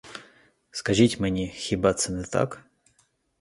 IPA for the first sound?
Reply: s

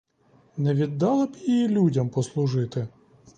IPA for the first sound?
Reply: n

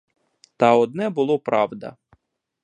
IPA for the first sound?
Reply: t̪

